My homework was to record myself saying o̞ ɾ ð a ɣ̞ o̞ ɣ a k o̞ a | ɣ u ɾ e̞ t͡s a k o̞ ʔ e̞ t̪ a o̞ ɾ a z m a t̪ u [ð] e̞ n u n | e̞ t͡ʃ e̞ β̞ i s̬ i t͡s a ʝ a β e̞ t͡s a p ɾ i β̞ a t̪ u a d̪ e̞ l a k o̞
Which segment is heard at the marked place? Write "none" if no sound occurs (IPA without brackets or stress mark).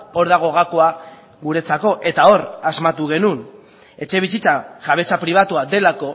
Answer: ɣ